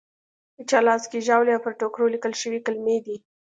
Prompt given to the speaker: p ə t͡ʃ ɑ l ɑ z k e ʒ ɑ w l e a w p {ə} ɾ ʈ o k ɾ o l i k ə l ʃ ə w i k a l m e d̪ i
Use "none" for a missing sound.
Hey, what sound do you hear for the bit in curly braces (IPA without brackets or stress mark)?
ə